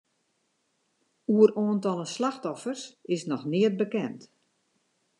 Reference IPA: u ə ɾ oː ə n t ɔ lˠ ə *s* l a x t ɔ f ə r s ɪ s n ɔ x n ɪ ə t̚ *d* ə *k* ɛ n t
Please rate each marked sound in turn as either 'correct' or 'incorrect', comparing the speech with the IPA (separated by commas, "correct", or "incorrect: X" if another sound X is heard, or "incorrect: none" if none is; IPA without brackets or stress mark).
correct, incorrect: b, correct